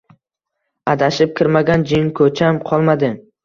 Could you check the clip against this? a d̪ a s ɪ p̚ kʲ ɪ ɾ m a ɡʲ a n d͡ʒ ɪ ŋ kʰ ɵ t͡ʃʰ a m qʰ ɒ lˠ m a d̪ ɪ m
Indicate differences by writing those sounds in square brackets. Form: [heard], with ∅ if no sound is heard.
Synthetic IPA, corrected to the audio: a d̪ a [ʃ] ɪ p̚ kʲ ɪ ɾ m a ɡʲ a n d͡ʒ ɪ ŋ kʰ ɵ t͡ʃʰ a m qʰ ɒ lˠ m a d̪ ɪ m